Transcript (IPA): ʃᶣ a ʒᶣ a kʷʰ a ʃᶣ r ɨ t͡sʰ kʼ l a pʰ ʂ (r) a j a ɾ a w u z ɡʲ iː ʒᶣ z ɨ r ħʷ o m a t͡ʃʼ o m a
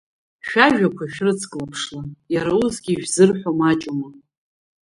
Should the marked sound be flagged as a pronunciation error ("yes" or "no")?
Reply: yes